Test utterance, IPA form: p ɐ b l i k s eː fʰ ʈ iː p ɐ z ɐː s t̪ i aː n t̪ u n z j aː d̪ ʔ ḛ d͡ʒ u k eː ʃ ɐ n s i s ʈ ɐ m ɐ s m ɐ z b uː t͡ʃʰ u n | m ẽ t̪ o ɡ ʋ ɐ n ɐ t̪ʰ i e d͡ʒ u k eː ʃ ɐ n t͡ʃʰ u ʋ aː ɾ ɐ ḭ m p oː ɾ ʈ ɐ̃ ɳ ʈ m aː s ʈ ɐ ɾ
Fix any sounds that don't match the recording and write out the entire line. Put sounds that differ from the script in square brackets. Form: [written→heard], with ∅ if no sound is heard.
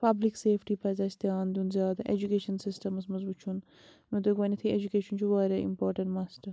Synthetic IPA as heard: p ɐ b l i k s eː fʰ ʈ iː p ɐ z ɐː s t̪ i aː n [t̪→d̪] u n z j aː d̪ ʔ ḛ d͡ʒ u k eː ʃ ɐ n s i s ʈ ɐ m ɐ s m ɐ z b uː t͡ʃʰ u n | m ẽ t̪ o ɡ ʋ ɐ n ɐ t̪ʰ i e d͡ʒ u k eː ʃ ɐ n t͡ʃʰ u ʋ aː ɾ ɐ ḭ m p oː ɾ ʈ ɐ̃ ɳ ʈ m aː s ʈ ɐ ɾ

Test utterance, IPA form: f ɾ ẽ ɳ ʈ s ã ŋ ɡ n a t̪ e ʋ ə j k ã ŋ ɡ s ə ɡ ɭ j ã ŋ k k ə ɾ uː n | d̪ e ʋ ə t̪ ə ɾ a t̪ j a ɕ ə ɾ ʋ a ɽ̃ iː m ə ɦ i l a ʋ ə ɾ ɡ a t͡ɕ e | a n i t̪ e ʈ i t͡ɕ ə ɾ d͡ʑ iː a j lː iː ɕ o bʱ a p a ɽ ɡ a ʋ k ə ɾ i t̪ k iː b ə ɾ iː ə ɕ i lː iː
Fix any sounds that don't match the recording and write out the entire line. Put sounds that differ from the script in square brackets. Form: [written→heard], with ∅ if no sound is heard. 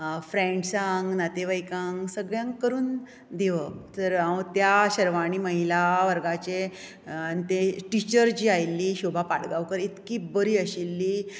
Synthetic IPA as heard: f ɾ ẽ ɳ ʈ s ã ŋ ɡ n a t̪ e ʋ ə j k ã ŋ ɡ s ə ɡ ɭ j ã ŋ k k ə ɾ uː n | d̪ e ʋ ə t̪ ə ɾ a t̪ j a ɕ ə ɾ ʋ a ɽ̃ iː m ə ɦ i l a ʋ ə ɾ ɡ a t͡ɕ e | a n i t̪ e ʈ i t͡ɕ ə ɾ d͡ʑ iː a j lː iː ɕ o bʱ a p a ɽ ɡ a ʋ k ə ɾ i t̪ k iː b ə ɾ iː ə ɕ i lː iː

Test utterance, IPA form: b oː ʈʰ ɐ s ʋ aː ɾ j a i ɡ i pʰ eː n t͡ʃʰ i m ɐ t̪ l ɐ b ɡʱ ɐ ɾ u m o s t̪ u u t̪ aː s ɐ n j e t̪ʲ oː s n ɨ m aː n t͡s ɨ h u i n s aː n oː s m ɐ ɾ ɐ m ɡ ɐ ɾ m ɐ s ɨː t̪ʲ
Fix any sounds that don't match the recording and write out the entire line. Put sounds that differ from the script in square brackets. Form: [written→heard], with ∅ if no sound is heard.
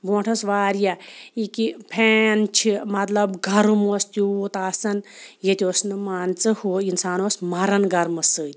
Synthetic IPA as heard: b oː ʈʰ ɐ s ʋ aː ɾ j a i [ɡ→k] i pʰ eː n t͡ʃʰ i m ɐ t̪ l ɐ b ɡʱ ɐ ɾ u m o s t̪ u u t̪ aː s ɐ n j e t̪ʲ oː s n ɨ m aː n t͡s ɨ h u i n s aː n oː s m ɐ ɾ ɐ [m→n] ɡ ɐ ɾ m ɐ s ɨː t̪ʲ

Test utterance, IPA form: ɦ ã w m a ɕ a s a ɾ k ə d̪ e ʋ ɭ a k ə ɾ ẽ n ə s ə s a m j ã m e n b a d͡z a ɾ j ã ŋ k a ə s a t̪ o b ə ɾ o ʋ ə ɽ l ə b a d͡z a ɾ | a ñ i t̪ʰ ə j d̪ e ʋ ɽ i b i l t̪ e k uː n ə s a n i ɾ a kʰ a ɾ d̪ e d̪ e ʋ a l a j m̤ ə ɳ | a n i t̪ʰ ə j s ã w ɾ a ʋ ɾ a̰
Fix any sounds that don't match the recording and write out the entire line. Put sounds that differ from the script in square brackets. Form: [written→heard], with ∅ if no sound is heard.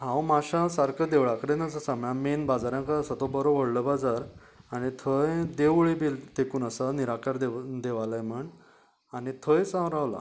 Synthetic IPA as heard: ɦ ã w m a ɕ a s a ɾ k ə d̪ e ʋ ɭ a k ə ɾ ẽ n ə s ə s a m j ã m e n b a d͡z a ɾ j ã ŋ k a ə s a t̪ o b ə ɾ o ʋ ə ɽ l ə b a d͡z a ɾ | a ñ i t̪ʰ ə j d̪ e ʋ [ɽ→ɭ] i b i l t̪ e k uː n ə s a n i ɾ a [kʰ→k] a ɾ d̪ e d̪ e ʋ a l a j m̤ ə ɳ | a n i t̪ʰ ə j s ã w ɾ a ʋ [ɾ→l] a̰

